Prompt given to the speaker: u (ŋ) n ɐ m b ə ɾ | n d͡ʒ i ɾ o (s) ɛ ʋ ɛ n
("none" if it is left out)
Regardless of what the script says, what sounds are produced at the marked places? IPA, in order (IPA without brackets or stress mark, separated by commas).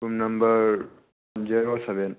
m, s